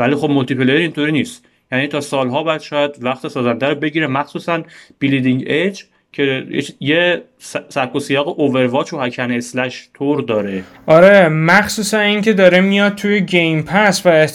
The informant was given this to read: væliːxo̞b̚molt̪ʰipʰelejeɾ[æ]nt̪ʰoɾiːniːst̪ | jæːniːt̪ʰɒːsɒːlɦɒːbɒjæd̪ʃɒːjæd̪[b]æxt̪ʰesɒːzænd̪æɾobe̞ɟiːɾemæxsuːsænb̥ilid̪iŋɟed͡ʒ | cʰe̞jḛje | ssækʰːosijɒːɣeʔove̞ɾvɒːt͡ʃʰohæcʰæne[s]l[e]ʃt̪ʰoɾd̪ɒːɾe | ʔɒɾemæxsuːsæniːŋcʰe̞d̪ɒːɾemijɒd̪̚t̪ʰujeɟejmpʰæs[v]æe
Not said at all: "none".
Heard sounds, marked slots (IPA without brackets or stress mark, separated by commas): i, v, s, æ, v